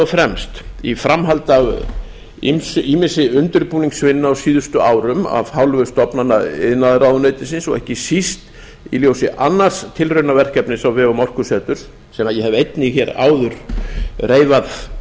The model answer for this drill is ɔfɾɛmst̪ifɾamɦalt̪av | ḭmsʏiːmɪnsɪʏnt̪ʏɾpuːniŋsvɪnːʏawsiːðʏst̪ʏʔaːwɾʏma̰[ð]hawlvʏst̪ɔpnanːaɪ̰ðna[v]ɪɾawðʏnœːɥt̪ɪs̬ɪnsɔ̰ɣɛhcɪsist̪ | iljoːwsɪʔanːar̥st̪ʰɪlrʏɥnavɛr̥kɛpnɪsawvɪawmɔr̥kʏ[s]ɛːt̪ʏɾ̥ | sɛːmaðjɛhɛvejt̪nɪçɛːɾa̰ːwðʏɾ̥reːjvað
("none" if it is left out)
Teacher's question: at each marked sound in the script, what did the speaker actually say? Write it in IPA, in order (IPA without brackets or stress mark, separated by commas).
v, ð, s